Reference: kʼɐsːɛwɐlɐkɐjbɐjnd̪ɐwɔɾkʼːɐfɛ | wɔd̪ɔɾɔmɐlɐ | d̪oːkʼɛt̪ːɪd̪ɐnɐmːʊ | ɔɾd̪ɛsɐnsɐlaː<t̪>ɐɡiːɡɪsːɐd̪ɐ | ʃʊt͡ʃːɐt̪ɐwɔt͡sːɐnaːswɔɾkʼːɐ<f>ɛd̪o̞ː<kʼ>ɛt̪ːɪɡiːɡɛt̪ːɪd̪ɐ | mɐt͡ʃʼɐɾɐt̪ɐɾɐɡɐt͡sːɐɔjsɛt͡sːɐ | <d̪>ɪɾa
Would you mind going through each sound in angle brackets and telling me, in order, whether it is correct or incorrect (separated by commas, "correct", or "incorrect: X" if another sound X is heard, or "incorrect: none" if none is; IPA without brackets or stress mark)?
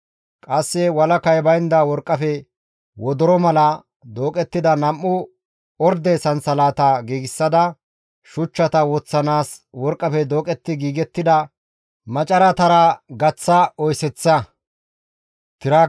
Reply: correct, correct, correct, incorrect: t̪